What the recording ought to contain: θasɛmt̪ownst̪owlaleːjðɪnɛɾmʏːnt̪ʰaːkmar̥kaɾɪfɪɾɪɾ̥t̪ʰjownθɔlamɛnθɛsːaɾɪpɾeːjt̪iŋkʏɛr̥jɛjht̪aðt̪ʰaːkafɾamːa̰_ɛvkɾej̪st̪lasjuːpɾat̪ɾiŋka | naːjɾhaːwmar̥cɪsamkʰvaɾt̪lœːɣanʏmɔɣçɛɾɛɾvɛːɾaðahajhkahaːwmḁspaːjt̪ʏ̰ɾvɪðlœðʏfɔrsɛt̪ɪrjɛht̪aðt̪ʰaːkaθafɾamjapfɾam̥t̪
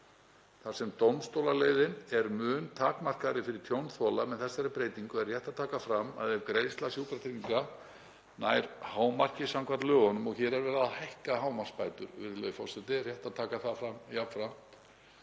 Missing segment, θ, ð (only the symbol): ð